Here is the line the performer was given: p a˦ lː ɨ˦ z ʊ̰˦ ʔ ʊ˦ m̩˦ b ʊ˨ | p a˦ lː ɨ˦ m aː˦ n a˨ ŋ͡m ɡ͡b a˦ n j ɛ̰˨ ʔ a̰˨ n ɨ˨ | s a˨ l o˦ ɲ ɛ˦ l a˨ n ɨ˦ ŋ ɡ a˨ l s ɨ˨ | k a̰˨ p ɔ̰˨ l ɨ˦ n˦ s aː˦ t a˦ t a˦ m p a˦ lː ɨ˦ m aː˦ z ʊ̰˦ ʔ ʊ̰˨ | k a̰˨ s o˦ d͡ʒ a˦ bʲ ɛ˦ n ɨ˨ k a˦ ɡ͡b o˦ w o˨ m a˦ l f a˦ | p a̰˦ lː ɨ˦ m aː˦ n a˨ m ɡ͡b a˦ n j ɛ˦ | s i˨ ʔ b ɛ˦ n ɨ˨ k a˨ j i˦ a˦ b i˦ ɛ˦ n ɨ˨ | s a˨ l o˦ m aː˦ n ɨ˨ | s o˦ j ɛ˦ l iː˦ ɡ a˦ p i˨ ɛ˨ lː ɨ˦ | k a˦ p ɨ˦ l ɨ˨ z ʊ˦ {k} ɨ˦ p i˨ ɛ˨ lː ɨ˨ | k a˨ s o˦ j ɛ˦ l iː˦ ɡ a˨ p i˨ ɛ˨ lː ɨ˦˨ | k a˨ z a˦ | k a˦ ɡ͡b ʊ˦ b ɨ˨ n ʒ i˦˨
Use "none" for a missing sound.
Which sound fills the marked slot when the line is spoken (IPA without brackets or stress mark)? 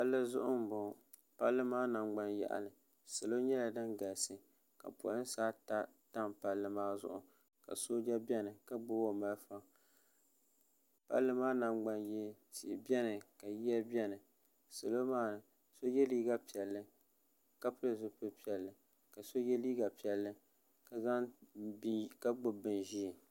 p